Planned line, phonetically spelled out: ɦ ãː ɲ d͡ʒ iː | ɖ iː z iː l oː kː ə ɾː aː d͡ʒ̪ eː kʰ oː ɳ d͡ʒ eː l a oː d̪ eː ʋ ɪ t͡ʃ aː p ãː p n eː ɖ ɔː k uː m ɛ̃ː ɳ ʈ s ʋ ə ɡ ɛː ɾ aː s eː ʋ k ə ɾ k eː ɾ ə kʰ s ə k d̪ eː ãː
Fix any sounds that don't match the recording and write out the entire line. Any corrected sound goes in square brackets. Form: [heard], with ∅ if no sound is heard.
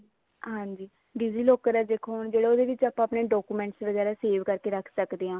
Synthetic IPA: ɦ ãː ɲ d͡ʒ iː | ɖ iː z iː l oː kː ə [ɾ] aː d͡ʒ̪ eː kʰ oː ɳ d͡ʒ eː [ɽ] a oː d̪ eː ʋ ɪ t͡ʃ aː p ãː p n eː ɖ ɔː k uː m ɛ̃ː ɳ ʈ s ʋ ə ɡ ɛː ɾ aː s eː ʋ k ə ɾ k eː ɾ ə kʰ s ə k d̪ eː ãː